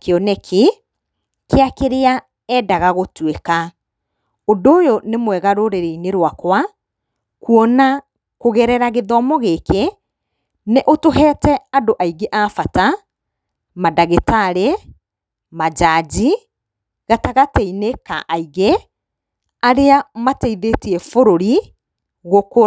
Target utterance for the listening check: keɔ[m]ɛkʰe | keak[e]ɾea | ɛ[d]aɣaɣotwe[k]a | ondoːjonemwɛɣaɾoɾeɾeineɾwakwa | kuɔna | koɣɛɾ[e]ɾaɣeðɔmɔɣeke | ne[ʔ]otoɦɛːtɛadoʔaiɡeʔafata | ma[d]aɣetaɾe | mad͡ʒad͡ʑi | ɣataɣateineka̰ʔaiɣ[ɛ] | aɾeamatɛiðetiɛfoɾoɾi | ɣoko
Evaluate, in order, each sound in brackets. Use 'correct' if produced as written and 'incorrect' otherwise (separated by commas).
incorrect, correct, correct, correct, incorrect, correct, correct, incorrect